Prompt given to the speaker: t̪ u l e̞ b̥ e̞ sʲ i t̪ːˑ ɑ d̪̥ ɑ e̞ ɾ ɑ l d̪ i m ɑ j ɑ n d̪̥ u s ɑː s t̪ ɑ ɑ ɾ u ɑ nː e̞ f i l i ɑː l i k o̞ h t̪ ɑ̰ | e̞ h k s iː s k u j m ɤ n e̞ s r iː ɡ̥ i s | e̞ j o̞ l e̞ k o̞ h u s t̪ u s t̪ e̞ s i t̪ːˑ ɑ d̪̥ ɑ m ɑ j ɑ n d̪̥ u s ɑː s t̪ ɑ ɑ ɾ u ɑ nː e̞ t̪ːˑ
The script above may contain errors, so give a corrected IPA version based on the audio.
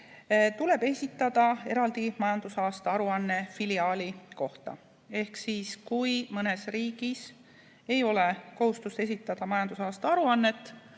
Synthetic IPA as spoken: t̪ u l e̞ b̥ e̞ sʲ i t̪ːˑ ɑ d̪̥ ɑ e̞ ɾ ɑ l d̪ i m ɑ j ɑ n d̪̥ u s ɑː s t̪ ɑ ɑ ɾ u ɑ nː e̞ f i l i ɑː l i k o̞ h t̪ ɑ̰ | e̞ h k s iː s k u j m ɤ n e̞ s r iː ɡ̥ i s | e̞ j o̞ l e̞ k o̞ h u s t̪ u s t̪ e̞ s i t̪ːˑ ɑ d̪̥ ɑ m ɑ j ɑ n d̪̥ u s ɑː s t̪ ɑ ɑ ɾ u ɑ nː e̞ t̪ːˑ